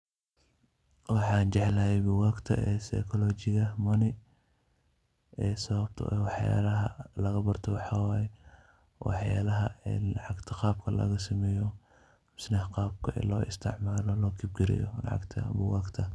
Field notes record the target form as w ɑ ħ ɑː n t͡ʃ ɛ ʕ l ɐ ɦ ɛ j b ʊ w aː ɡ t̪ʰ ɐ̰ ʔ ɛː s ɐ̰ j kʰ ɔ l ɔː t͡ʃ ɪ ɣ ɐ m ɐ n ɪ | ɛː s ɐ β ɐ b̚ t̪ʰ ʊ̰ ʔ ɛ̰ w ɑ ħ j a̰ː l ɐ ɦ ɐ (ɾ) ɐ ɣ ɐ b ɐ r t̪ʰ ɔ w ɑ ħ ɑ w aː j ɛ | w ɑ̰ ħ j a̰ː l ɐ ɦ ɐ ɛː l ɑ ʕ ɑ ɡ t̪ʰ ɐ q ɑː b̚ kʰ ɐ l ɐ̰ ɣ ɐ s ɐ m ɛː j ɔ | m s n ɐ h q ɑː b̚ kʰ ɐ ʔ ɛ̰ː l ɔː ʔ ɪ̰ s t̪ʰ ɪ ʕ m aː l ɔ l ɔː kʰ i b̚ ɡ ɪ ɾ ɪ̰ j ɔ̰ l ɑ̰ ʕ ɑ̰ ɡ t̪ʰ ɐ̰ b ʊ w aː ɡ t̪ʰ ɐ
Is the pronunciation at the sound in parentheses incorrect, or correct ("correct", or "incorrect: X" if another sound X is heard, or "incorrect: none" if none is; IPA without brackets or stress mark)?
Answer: incorrect: l